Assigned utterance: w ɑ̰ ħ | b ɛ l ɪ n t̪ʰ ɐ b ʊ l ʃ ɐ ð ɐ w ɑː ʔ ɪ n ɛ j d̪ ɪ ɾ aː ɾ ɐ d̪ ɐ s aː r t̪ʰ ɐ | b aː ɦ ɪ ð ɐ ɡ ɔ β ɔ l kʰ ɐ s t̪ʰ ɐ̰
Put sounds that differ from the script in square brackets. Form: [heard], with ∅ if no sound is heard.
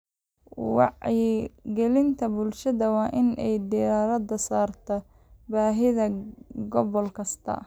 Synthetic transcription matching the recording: w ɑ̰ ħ | [ɡ] ɛ l ɪ n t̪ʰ ɐ b ʊ l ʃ ɐ ð ɐ w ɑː ʔ ɪ n ɛ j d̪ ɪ ɾ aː ɾ ɐ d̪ ɐ s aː r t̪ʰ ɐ | b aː ɦ ɪ ð ɐ ɡ ɔ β ɔ l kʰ ɐ s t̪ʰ ɐ̰